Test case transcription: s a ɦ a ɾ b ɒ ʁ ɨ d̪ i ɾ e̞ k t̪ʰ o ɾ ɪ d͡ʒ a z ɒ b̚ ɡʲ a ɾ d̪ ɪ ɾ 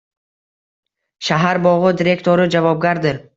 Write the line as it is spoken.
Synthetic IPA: ʃ a ɦ a ɾ b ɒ ʁ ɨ d̪ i ɾ e̞ k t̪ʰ o ɾ ɪ d͡ʒ a v ɒ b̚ ɡʲ a ɾ d̪ ɪ ɾ

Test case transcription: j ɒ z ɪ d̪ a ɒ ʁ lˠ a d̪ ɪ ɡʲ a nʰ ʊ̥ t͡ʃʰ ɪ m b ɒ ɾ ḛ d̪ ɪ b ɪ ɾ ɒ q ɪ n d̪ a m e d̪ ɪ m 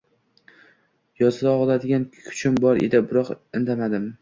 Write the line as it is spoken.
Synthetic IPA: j ɒ z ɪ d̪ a ɒ ʁ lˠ a d̪ ɪ ɡʲ a nʰ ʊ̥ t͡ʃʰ ɪ m b ɒ ɾ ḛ d̪ ɪ b ɪ ɾ ɒ q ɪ n d̪ a m a d̪ ɪ m

